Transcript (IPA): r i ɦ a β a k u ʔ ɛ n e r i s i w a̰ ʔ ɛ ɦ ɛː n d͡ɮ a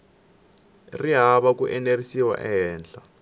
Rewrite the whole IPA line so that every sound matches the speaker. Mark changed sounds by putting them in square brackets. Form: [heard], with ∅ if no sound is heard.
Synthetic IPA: r i ɦ a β a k u ʔ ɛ n e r i s i w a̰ ʔ ɛ ɦ ɛː n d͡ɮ a